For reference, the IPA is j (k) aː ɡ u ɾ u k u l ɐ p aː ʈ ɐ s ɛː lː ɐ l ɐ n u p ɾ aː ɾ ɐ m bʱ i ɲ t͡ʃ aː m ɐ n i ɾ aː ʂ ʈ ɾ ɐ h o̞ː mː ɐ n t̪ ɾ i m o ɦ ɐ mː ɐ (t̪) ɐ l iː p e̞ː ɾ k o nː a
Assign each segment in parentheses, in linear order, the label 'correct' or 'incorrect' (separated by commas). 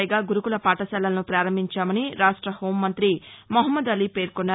incorrect, incorrect